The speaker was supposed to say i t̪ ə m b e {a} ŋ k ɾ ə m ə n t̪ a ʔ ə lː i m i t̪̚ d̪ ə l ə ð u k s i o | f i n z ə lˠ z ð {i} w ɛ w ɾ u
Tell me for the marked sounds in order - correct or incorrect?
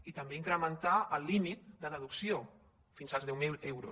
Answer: incorrect: i, incorrect: ɛ

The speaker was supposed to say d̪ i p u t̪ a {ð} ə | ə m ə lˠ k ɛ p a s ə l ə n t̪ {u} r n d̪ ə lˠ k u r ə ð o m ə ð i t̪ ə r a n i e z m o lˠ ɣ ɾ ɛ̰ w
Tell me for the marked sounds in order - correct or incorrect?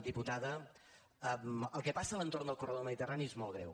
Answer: correct, incorrect: o

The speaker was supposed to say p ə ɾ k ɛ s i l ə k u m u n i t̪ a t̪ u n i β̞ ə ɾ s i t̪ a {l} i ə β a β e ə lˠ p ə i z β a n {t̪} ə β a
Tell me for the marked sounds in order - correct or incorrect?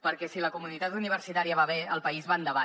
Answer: incorrect: ɾ, incorrect: d̪

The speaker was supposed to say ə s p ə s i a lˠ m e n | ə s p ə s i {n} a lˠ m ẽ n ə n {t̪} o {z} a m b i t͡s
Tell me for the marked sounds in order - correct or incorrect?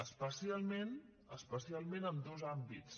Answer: incorrect: none, incorrect: d̪, correct

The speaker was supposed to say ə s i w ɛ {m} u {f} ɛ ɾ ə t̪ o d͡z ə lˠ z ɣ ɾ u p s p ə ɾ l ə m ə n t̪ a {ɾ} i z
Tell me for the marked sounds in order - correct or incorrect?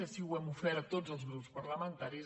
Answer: correct, correct, correct

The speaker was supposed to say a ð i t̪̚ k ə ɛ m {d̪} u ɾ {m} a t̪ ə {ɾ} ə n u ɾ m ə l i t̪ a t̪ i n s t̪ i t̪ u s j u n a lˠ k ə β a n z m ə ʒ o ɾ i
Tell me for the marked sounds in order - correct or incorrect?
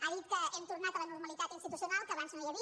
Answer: incorrect: t̪, incorrect: n, incorrect: l

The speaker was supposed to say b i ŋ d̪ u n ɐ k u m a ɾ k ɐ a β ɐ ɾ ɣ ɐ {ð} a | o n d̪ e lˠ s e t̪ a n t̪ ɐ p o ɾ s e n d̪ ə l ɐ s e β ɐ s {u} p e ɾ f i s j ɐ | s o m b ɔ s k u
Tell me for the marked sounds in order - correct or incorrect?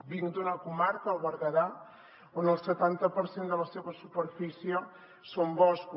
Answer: correct, correct

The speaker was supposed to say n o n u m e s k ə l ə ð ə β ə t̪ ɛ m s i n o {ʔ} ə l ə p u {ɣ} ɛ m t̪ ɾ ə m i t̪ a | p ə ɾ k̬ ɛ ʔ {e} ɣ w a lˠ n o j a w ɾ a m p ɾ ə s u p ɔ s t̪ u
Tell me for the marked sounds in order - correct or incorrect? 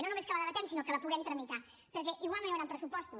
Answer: incorrect: k, correct, incorrect: i

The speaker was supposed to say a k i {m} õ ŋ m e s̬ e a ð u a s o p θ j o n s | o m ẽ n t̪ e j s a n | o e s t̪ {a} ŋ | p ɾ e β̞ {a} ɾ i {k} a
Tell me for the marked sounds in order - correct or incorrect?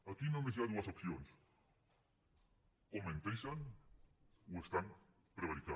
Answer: incorrect: n, correct, correct, correct

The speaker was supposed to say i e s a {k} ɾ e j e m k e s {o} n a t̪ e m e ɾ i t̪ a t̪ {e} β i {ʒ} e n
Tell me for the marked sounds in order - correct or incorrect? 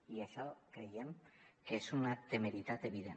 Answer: correct, incorrect: u, correct, incorrect: ð

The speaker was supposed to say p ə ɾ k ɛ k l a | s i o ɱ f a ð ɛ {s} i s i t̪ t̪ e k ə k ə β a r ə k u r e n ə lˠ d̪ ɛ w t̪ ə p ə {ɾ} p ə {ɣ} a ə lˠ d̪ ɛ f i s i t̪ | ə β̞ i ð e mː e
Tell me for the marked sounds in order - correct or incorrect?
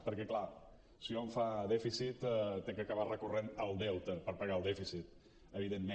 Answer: incorrect: f, correct, correct

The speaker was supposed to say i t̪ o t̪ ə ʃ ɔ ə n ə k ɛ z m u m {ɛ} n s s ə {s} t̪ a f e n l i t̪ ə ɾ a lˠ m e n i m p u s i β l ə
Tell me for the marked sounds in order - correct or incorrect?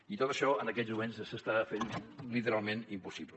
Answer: incorrect: e, correct

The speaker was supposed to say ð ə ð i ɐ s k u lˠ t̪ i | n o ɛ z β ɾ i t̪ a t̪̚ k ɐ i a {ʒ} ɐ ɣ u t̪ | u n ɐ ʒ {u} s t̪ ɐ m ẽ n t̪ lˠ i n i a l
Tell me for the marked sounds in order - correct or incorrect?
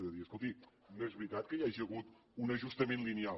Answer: correct, correct

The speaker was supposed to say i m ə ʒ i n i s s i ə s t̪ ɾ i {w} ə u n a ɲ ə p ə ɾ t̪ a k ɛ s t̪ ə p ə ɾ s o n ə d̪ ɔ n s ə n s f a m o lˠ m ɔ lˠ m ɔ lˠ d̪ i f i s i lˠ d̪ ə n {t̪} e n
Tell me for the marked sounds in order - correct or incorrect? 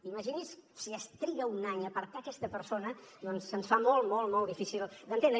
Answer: incorrect: ɣ, correct

